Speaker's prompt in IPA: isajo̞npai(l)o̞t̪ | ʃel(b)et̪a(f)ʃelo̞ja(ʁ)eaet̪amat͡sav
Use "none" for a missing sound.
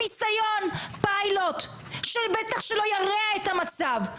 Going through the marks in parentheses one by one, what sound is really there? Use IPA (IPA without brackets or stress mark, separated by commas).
l, b, χ, ʁ